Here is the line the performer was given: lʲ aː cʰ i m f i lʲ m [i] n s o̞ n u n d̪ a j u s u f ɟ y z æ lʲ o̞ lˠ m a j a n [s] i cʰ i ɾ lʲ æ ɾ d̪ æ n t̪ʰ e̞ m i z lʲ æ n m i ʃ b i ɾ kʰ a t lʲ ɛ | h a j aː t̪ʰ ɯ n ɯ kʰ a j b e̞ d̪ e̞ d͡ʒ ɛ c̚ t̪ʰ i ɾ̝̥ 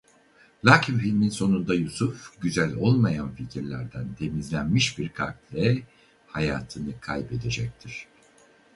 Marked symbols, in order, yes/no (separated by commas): yes, no